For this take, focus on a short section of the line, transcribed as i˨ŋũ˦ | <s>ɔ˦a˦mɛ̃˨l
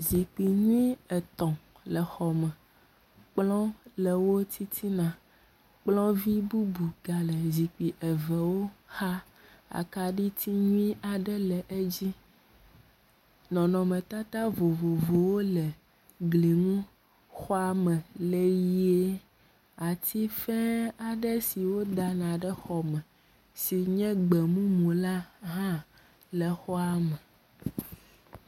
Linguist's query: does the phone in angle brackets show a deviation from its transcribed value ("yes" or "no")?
yes